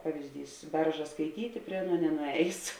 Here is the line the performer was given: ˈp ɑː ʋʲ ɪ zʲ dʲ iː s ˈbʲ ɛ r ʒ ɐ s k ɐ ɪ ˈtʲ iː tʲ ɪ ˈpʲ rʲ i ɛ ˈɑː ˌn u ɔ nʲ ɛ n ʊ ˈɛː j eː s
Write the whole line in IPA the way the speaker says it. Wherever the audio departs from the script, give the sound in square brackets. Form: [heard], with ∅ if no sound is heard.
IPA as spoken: ˈp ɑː ʋʲ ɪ zʲ dʲ iː s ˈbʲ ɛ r ʒ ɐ s k ɐ ɪ ˈtʲ iː tʲ ɪ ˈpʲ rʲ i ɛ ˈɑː ˌn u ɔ nʲ ɛ n ʊ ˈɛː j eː s